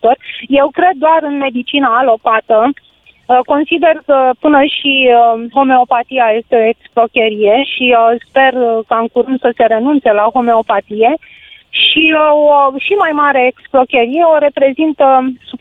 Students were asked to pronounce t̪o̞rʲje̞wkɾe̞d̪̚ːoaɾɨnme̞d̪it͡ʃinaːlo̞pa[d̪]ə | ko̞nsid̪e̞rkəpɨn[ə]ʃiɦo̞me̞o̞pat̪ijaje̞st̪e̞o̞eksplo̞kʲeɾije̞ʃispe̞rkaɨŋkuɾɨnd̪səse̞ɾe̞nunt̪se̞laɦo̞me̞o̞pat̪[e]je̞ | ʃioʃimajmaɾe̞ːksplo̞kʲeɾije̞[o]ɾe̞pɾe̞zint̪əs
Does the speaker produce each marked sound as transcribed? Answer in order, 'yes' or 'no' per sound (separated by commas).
no, yes, no, yes